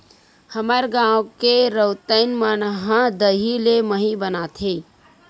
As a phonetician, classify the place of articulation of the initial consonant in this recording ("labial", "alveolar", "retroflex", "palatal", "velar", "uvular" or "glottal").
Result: glottal